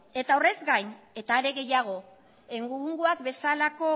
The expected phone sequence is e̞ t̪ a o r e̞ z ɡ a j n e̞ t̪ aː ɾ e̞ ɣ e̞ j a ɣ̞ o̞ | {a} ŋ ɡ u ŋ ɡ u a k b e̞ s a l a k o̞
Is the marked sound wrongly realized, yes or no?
yes